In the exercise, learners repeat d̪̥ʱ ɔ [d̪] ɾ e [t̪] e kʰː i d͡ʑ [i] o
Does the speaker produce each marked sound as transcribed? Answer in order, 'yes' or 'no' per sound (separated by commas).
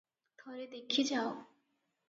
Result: no, no, no